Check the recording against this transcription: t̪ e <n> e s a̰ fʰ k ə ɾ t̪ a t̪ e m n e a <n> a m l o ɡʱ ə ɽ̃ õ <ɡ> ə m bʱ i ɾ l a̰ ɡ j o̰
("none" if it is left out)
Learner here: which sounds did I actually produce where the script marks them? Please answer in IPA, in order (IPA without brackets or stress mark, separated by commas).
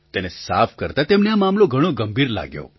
n, m, ɡ